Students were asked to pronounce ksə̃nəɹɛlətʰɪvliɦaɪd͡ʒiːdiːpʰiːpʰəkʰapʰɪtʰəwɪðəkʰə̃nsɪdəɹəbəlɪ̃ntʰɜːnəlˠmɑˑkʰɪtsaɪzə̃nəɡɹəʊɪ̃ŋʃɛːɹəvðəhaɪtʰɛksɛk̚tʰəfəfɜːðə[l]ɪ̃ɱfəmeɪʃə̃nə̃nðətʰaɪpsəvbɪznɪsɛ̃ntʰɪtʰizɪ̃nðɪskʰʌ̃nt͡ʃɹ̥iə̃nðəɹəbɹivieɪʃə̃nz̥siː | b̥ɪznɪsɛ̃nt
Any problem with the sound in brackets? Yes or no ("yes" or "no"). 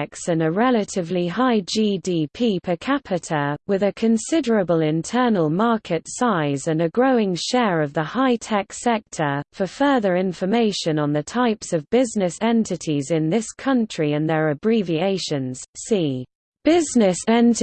yes